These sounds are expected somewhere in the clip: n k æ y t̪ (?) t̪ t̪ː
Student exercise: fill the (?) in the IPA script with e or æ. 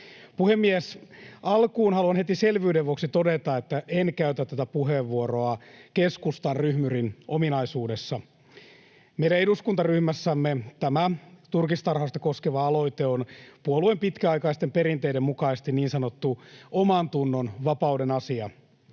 æ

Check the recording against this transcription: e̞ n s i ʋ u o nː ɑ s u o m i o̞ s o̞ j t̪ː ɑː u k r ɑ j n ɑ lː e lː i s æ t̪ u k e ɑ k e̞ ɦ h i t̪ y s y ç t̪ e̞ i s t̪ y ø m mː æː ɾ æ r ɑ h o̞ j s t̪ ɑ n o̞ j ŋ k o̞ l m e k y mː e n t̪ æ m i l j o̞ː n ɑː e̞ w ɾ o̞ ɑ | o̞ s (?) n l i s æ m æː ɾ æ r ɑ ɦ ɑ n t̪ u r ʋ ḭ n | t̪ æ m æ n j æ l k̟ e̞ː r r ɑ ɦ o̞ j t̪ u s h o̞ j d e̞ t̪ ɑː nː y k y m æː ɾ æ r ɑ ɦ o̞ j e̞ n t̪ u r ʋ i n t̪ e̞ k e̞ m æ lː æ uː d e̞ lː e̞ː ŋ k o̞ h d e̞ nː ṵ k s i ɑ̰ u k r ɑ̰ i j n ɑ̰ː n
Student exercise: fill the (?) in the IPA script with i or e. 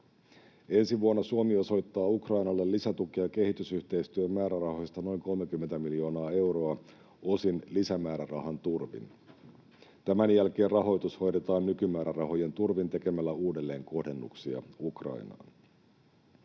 i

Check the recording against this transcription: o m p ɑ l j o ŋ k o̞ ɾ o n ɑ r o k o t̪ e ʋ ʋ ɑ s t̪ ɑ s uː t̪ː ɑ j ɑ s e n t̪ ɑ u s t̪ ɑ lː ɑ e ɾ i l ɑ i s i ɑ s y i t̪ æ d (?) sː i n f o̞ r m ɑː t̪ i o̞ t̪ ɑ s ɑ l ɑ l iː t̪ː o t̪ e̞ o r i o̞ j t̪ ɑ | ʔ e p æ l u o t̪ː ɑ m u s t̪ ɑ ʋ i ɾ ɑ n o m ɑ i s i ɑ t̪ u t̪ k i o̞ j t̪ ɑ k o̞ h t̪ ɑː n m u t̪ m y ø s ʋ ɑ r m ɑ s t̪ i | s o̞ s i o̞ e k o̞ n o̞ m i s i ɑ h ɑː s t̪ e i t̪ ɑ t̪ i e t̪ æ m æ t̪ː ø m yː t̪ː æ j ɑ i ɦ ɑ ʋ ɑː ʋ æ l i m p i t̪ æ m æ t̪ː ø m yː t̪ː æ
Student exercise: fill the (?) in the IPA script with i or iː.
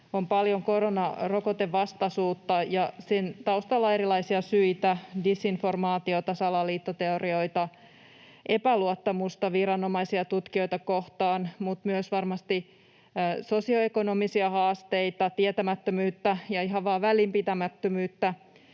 i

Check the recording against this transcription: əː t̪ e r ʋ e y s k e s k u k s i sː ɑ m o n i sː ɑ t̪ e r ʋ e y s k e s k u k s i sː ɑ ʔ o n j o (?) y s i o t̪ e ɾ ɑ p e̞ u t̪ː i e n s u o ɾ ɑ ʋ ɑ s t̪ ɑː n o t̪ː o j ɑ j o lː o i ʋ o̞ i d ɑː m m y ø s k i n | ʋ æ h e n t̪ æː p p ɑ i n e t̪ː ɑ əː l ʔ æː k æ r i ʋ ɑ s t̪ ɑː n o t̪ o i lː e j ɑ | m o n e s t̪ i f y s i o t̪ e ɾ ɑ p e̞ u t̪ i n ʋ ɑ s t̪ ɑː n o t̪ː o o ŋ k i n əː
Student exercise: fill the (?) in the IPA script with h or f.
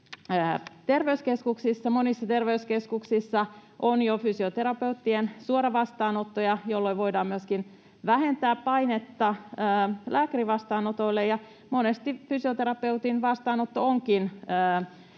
f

